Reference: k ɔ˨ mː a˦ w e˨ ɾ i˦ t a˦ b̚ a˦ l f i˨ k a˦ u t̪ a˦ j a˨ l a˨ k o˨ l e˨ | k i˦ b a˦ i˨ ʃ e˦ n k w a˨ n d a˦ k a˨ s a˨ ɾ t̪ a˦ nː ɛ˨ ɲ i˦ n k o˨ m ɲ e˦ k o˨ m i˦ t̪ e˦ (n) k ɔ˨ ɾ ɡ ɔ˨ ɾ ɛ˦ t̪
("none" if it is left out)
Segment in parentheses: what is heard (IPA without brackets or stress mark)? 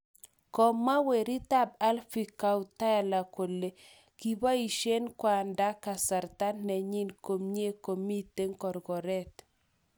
ŋ